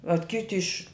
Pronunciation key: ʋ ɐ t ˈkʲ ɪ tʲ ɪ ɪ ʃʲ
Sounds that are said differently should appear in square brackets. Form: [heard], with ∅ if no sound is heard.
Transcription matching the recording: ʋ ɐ t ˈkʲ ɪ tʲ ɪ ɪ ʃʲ